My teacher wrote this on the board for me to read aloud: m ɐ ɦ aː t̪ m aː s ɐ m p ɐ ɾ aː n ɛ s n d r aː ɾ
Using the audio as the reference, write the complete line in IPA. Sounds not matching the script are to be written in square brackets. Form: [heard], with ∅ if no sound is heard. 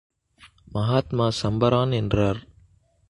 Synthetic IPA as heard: m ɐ ɦ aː t̪ m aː s ɐ m [b] ɐ ɾ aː n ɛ [∅] n d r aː ɾ

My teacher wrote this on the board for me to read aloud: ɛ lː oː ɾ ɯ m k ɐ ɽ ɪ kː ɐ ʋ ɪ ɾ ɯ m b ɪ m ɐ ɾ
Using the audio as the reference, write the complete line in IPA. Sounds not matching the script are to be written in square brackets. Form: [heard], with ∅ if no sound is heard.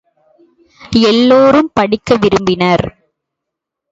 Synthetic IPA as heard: ɛ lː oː ɾ ɯ m [p] ɐ ɽ ɪ kː ɐ ʋ ɪ ɾ ɯ m b ɪ [n] ɐ ɾ

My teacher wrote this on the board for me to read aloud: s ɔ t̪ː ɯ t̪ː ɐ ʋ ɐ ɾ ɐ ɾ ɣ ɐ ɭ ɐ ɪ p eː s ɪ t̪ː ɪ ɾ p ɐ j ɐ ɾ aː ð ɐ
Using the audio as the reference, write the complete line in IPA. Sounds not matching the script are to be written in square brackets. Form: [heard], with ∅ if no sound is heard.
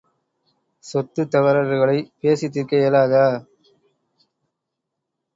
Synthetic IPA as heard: s ɔ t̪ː ɯ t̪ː ɐ ʋ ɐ ɾ ɐ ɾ ɣ ɐ ɭ ɐ ɪ p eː s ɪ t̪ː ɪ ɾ [k] ɐ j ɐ [l] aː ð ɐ

